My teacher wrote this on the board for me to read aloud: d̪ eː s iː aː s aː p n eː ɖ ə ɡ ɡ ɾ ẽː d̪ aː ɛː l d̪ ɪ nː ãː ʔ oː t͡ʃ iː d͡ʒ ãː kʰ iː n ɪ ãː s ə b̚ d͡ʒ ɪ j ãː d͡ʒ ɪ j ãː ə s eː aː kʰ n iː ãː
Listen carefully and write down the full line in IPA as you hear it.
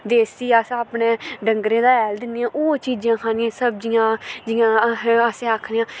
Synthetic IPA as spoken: d̪ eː s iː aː s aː p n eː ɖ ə ŋ ɡ ɾ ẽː d̪ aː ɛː l d̪ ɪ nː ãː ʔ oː t͡ʃ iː d͡ʒ ãː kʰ aː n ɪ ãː s ə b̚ d͡ʒ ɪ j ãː d͡ʒ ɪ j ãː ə s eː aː kʰ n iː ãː